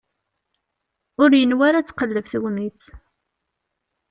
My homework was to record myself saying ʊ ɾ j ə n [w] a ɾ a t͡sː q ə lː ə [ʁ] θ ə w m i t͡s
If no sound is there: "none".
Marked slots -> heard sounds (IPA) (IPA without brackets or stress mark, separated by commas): w, v